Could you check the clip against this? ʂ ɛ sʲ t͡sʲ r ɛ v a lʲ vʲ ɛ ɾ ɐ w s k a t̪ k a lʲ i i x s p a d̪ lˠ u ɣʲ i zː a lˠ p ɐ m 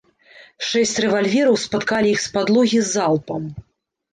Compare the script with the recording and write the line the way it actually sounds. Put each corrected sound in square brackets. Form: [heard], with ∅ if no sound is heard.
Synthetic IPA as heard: ʂ ɛ sʲ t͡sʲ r ɛ v a lʲ vʲ ɛ ɾ ɐ w s [p] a t̪ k a lʲ i i x s p a d̪ lˠ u ɣʲ i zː a lˠ p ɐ m